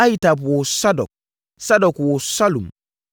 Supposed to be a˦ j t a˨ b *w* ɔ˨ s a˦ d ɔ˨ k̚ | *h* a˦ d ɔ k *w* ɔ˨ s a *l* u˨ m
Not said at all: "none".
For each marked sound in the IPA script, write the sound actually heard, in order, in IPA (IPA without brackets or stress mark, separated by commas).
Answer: w, s, w, l